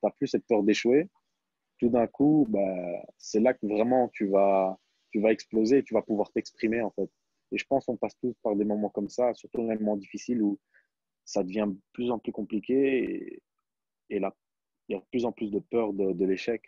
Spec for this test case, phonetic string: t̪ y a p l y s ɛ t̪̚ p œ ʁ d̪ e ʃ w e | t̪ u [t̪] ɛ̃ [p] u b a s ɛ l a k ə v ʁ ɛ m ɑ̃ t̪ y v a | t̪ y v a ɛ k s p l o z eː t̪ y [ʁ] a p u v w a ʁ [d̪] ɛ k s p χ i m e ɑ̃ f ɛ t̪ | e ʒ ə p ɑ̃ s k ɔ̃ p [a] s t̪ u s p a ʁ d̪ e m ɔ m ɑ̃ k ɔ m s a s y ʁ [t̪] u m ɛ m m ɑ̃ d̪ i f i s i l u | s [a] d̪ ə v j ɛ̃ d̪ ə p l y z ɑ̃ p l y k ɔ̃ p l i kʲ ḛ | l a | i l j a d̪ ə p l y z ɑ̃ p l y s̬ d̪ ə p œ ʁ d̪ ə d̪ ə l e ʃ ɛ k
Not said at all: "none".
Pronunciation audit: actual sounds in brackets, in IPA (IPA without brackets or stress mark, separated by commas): d̪, k, v, t̪, a, t̪, a